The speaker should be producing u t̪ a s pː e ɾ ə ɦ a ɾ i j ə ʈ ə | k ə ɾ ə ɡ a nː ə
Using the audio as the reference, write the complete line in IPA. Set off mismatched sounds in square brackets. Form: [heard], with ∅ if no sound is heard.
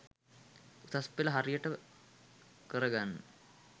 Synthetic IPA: u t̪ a s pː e [l] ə ɦ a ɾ i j ə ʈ ə | k ə ɾ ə ɡ a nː ə